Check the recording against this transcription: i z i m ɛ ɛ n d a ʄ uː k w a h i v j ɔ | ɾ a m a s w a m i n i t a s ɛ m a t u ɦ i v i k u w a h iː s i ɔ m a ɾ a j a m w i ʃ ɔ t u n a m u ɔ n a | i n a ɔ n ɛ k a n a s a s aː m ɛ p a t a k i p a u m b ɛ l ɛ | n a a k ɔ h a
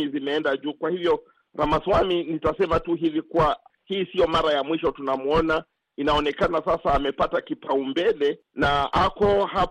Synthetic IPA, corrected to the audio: i z i m ɛ ɛ n d a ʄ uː k w a h i v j ɔ | ɾ a m a s w a m i n i t a s ɛ m a t u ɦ i v i k u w a h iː s i ɔ m a ɾ a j a m w i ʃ ɔ t u n a m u ɔ n a | i n a ɔ n ɛ k a n a s a s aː m ɛ p a t a k i p a u m b ɛ l ɛ | n a a k ɔ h a